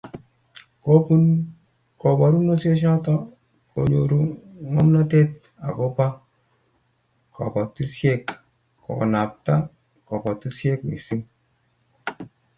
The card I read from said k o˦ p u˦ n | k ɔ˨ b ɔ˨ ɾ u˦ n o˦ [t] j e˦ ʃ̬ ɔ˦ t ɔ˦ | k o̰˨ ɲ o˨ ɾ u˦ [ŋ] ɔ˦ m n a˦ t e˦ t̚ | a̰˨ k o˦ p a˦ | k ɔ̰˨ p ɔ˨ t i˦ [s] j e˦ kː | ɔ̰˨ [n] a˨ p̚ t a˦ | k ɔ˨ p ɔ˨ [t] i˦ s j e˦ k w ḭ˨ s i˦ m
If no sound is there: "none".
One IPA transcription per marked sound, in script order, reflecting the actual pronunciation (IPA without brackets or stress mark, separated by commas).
s, ŋ, s, n, t